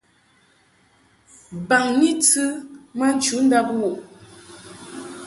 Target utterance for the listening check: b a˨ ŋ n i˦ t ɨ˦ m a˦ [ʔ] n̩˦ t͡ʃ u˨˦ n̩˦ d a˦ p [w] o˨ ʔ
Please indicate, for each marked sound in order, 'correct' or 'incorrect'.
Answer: incorrect: none, correct

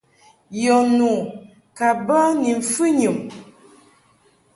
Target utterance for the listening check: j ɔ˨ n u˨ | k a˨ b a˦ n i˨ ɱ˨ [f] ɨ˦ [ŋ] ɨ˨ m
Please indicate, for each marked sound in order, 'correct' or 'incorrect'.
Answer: correct, incorrect: ɲ

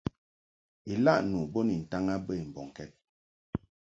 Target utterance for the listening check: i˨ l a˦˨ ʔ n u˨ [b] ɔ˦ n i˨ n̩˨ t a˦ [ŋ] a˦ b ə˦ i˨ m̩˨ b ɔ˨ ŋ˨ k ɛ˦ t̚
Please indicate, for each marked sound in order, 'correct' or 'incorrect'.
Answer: correct, correct

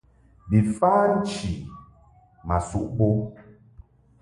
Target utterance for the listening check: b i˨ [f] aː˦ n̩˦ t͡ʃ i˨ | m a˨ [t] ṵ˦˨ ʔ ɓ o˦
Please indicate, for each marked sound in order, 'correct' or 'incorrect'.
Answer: correct, incorrect: s

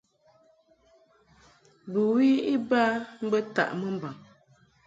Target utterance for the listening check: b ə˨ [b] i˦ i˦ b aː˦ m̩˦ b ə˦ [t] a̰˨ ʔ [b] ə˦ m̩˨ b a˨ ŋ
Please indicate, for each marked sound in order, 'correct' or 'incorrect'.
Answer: incorrect: w, correct, incorrect: m

